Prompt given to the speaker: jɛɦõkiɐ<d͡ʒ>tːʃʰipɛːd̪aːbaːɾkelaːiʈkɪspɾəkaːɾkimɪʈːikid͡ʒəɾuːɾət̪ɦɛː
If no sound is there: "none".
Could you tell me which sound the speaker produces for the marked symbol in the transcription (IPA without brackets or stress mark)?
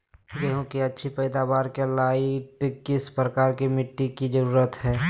none